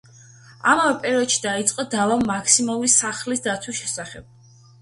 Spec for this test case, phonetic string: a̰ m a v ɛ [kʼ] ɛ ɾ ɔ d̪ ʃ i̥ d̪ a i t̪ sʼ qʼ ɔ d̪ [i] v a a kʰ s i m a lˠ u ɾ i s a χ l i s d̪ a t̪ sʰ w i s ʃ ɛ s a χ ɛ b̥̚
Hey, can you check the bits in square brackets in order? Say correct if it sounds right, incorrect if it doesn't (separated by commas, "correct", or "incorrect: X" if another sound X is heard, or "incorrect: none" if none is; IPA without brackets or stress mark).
incorrect: pʼ, incorrect: a